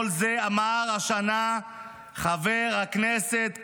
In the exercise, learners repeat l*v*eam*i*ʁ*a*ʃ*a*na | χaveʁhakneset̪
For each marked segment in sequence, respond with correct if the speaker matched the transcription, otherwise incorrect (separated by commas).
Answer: incorrect, incorrect, correct, correct